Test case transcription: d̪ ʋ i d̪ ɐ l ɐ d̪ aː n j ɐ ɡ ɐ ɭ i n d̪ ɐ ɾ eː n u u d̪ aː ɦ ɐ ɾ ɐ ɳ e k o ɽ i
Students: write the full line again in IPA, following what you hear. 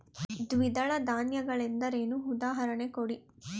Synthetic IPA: d̪ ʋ i d̪ ɐ ɭ ɐ d̪ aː n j ɐ ɡ ɐ ɭ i n d̪ ɐ ɾ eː n u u d̪ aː ɦ ɐ ɾ ɐ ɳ e k o ɽ i